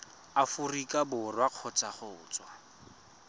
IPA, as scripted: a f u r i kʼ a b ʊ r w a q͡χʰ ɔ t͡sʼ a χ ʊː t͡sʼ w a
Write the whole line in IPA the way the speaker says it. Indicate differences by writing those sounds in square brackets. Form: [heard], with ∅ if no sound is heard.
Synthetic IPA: a f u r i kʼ a b ʊ r w a q͡χʰ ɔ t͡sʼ a χ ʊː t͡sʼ w a